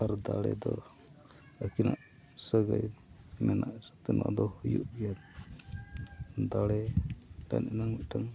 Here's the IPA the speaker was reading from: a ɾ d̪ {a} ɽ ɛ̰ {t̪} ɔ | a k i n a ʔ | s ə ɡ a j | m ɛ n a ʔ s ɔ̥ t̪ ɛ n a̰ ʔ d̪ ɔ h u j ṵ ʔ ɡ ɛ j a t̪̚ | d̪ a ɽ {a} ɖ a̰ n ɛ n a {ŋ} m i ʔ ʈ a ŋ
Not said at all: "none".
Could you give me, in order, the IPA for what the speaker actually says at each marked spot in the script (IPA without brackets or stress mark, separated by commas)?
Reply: a, d̪, ɛ, ŋ